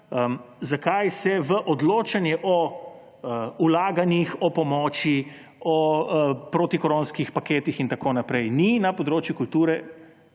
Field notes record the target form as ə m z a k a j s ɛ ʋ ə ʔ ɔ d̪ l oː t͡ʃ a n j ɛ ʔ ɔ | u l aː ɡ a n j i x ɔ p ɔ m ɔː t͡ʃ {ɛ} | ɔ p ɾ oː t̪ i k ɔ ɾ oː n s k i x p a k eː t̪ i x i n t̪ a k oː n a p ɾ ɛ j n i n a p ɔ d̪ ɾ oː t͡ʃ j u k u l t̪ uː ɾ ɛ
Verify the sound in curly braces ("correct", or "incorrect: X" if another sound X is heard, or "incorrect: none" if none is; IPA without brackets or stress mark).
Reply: incorrect: i